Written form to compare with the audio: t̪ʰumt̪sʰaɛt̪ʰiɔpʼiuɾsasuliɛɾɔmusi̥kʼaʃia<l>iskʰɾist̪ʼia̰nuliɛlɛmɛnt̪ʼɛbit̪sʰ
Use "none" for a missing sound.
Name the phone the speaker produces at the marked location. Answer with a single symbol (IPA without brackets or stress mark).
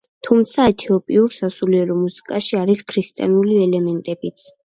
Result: ɾ